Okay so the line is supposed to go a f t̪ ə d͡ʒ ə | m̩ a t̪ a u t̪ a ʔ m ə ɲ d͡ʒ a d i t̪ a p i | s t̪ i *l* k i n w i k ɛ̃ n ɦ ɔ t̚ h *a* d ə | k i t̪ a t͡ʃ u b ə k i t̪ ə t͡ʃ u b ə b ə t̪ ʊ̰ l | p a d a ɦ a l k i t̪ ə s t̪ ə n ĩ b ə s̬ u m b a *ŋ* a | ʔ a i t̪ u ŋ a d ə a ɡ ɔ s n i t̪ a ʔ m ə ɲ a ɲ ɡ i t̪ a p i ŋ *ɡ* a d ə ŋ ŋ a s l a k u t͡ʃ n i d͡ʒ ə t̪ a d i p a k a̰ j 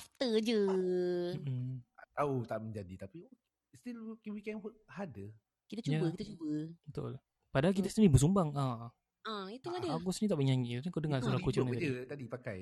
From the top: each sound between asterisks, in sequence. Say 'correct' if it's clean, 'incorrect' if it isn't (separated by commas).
correct, correct, correct, incorrect